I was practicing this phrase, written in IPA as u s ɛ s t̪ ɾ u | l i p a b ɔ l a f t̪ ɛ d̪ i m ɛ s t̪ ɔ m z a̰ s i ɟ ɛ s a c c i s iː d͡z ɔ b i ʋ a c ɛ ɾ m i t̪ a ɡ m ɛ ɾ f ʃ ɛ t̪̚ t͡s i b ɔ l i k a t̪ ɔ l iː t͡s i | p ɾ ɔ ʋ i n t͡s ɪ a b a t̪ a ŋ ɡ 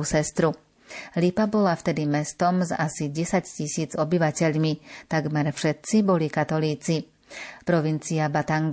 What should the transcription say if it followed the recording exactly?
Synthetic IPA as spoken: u s ɛ s t̪ ɾ u | l i p a b ɔ l a f t̪ ɛ d̪ i m ɛ s t̪ ɔ m z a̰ s i ɟ ɛ s a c c i s iː d͡z ɔ b i ʋ a c ɛ ʎ m i t̪ a ɡ m ɛ ɾ f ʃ ɛ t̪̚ t͡s i b ɔ l i k a t̪ ɔ l iː t͡s i | p ɾ ɔ ʋ i n t͡s i a b a t̪ a ŋ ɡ